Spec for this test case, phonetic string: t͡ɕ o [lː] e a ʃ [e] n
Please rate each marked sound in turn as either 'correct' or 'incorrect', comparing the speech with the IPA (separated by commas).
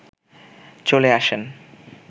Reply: incorrect, correct